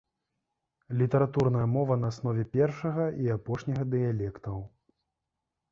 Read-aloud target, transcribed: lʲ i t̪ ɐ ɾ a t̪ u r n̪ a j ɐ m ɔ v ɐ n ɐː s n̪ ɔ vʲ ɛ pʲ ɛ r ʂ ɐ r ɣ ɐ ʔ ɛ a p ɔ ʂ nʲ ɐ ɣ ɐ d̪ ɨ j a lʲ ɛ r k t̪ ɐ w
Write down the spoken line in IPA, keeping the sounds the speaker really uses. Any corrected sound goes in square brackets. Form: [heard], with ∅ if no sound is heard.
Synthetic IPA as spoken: lʲ i t̪ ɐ ɾ a t̪ u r n̪ [ɐ] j ɐ m ɔ v ɐ n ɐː s n̪ ɔ vʲ ɛ pʲ ɛ r ʂ ɐ [∅] ɣ ɐ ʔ [i] a p ɔ ʂ nʲ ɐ ɣ ɐ d̪ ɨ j a lʲ ɛ [∅] k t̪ ɐ w